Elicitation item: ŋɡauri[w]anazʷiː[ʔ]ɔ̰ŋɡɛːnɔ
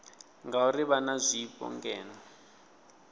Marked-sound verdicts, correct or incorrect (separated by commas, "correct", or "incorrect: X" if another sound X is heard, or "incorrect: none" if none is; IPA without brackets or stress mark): incorrect: β, incorrect: p